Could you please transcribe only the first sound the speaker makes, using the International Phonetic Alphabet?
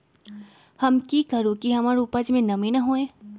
h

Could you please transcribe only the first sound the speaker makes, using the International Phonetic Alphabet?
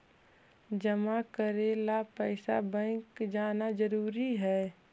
d͡ʒ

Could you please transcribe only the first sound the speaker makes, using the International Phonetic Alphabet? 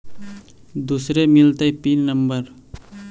d̪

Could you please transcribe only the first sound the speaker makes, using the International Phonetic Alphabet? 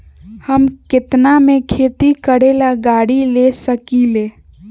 h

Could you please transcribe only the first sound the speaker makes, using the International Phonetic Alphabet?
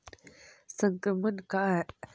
s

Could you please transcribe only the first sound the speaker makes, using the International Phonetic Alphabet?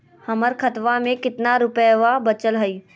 h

